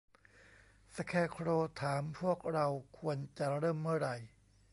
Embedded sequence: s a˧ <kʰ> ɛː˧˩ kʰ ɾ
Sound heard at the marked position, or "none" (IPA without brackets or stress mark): kʰ